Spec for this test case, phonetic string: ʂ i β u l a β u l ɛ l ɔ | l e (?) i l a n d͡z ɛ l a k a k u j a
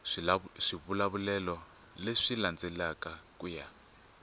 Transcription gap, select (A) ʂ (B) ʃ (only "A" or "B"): A